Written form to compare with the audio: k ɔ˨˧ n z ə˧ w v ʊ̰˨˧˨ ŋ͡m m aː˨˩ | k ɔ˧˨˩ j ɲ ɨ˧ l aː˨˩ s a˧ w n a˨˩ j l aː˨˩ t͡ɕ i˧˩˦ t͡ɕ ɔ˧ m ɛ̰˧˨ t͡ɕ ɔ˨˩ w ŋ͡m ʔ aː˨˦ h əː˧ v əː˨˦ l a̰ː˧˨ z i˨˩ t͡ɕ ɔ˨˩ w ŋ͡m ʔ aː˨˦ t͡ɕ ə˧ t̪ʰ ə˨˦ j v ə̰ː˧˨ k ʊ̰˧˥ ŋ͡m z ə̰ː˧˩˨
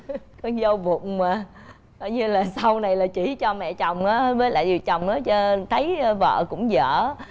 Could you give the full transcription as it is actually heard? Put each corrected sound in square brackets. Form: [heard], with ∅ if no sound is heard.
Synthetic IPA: k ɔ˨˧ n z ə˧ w v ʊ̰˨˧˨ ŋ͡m m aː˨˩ | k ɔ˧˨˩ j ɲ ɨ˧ l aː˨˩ s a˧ w n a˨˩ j l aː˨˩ t͡ɕ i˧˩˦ t͡ɕ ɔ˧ m ɛ̰˧˨ t͡ɕ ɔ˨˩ w ŋ͡m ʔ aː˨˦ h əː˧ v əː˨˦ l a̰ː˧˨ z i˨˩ t͡ɕ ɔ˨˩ w ŋ͡m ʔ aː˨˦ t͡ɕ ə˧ t̪ʰ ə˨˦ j v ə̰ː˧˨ k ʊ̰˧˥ ŋ͡m z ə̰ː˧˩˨